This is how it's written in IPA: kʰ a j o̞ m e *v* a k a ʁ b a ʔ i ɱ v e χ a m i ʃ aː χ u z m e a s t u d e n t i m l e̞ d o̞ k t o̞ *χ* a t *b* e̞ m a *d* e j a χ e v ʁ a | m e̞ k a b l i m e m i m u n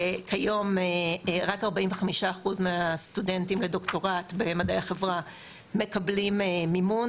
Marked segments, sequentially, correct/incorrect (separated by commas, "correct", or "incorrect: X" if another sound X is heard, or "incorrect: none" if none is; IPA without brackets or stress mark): incorrect: ʁ, incorrect: ʁ, correct, correct